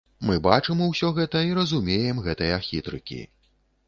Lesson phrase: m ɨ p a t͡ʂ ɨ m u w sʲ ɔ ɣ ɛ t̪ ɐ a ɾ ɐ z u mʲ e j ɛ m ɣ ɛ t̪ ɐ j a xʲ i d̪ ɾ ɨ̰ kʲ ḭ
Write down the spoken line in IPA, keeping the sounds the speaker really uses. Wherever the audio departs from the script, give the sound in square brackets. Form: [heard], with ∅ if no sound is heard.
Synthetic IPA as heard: m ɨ [b] a t͡ʂ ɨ m u w sʲ ɔ ɣ ɛ t̪ ɐ [i] ɾ ɐ z u mʲ e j ɛ m ɣ ɛ t̪ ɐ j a xʲ i [t̪] ɾ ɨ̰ kʲ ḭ